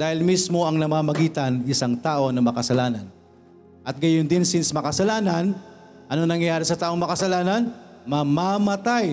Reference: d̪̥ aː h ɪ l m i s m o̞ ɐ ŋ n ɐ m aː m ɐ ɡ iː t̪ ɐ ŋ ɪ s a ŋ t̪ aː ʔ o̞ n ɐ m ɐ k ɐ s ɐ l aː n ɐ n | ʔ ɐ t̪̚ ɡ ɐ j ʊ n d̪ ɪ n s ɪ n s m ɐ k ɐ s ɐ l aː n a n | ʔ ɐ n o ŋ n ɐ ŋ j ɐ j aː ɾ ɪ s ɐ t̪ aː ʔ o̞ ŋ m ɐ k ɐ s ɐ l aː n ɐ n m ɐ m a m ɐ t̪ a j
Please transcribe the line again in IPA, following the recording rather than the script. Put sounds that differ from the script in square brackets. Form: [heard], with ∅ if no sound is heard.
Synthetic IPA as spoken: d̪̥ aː h ɪ l m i s m o̞ ɐ ŋ n ɐ m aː m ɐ ɡ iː t̪ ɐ [n] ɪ s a ŋ t̪ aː ʔ o̞ n ɐ m ɐ k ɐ s ɐ l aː n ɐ n | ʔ ɐ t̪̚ ɡ ɐ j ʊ n d̪ ɪ n s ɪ n s m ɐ k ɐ s ɐ l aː n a n | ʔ ɐ n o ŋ n ɐ ŋ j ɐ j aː ɾ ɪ s ɐ t̪ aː ʔ o̞ ŋ m ɐ k ɐ s ɐ l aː n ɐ n m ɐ m a m ɐ t̪ a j